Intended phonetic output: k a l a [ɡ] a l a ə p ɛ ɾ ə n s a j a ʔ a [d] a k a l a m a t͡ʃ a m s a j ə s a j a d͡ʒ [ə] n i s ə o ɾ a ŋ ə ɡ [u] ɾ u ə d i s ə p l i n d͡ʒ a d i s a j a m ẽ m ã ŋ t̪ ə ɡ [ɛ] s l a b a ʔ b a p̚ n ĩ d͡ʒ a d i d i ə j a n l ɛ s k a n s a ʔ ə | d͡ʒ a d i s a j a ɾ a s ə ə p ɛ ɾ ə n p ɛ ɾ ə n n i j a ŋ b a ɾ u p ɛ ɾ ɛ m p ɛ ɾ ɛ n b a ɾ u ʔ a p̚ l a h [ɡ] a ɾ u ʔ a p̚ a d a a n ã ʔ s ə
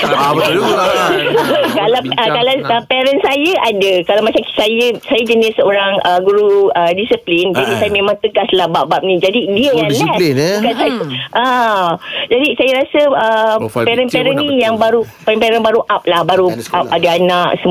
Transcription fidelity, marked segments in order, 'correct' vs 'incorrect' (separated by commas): incorrect, correct, correct, correct, incorrect, incorrect